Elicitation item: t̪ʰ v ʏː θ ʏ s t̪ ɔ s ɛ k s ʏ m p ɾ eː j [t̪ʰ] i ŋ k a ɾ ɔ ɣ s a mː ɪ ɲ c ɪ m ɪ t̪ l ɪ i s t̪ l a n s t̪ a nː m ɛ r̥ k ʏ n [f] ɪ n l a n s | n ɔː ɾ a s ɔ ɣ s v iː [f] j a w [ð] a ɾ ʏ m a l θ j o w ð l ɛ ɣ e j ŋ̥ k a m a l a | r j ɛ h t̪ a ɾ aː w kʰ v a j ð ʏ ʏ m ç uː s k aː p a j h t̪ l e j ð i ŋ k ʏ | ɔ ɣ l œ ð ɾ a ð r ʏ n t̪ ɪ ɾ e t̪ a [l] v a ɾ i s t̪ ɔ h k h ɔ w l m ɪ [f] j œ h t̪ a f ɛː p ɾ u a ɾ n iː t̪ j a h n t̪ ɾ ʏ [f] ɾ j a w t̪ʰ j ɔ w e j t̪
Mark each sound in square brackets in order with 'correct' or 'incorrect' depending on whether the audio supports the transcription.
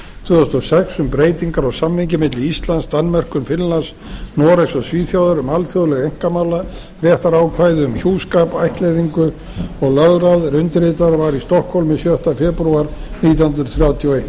incorrect: t̪, correct, incorrect: θ, correct, incorrect: ɾ, incorrect: s, incorrect: θ

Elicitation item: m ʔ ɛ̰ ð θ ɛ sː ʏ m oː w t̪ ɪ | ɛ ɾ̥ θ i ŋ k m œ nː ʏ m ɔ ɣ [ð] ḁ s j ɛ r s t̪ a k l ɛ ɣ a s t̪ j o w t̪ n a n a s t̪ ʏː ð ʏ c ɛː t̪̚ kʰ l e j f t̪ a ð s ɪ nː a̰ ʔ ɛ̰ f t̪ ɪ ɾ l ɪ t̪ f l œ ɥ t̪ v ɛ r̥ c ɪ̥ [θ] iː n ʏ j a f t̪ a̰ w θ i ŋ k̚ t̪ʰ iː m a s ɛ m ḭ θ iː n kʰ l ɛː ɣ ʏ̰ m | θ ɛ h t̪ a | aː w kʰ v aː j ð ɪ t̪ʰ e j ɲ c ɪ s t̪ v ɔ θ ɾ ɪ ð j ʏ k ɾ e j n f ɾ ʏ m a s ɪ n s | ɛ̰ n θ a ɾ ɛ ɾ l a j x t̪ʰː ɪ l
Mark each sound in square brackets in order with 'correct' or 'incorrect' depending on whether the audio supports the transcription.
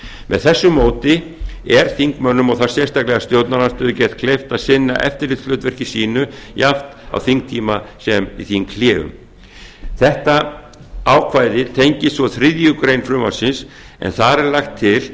incorrect: θ, incorrect: s

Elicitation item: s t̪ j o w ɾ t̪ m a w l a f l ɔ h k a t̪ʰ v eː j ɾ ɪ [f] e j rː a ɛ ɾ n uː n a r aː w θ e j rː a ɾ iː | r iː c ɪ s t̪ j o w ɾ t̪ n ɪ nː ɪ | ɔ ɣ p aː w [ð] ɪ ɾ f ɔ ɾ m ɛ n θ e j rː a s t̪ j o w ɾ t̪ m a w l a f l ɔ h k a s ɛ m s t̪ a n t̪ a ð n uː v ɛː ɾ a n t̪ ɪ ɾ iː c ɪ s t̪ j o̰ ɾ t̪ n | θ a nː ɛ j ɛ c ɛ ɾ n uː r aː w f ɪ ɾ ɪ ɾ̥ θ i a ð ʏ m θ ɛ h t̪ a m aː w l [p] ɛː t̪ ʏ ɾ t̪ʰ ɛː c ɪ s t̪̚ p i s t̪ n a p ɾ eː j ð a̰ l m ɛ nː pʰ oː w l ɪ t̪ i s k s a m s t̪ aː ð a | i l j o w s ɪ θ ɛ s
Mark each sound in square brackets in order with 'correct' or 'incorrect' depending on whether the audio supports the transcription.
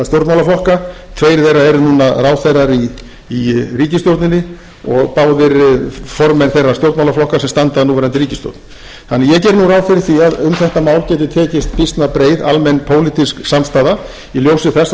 incorrect: θ, correct, incorrect: c

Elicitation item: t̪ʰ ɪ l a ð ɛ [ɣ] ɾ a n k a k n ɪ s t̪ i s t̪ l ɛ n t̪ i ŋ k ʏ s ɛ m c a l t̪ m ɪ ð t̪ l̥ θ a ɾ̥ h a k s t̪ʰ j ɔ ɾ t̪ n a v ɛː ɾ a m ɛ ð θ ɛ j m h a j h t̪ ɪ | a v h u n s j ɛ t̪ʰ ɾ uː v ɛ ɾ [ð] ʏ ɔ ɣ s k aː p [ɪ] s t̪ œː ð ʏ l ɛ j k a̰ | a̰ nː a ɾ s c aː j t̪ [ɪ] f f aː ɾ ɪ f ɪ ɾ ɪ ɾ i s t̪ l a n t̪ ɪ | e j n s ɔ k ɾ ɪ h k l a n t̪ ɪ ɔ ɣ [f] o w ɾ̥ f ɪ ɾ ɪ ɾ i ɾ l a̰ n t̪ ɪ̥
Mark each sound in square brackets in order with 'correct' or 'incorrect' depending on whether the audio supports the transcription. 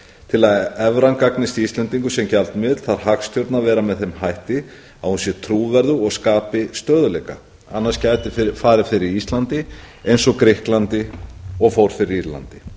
incorrect: v, correct, correct, correct, correct

